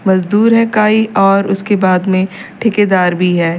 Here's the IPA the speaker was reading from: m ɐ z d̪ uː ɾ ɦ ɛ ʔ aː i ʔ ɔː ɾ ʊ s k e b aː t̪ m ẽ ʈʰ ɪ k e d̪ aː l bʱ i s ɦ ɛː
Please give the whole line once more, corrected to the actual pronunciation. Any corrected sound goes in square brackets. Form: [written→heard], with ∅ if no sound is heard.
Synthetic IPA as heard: m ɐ z d̪ uː ɾ ɦ ɛ [ʔ→k] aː i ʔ ɔː ɾ ʊ s k e b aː [t̪→d̪] m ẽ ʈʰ ɪ k e d̪ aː [l→ɾ] bʱ i [s→∅] ɦ ɛː